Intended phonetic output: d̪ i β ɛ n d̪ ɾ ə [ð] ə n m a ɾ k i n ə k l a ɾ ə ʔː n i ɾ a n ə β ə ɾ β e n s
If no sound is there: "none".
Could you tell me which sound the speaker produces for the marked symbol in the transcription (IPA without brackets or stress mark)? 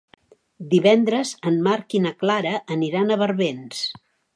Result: z